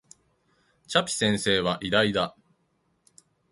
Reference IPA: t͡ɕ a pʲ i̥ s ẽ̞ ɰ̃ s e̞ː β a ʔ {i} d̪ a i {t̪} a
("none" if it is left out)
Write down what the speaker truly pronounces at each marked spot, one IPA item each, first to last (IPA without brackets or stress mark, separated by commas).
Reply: i, d̪